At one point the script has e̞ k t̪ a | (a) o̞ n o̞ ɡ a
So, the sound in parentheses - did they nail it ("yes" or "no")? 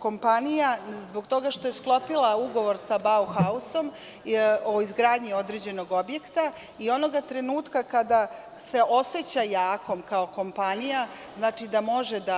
no